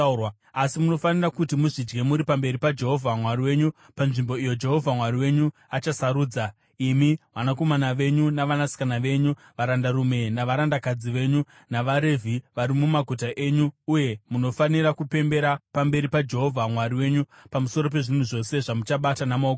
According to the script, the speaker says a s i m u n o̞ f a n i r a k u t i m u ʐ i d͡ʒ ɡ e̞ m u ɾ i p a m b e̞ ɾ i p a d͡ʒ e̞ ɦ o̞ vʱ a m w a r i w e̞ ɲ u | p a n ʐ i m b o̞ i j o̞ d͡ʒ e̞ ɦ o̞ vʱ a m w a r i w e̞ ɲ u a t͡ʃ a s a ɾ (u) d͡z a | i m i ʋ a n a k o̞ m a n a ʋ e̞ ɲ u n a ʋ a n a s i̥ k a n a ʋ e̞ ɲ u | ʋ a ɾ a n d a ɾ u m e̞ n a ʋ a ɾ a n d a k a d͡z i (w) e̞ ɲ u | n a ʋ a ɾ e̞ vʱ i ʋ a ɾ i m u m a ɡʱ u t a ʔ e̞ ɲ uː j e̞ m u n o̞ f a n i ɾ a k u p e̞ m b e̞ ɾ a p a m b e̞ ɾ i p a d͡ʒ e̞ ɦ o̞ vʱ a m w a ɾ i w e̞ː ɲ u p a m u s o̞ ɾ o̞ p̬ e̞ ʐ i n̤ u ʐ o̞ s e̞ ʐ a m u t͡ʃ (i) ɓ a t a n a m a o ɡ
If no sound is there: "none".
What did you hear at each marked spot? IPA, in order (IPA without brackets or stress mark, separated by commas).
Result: uː, ʋ, a